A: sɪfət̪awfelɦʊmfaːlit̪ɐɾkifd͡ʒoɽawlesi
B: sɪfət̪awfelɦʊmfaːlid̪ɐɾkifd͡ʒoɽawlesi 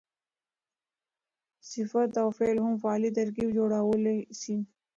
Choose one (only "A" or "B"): A